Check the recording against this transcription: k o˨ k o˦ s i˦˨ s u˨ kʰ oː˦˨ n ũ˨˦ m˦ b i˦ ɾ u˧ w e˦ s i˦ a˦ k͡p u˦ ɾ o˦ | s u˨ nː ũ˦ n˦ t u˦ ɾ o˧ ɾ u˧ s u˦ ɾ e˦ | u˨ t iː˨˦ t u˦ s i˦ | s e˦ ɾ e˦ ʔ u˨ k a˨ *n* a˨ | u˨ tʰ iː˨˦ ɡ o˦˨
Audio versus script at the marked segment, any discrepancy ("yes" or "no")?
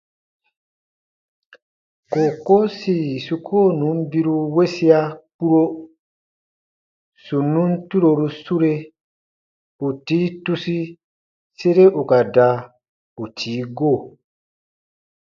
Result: yes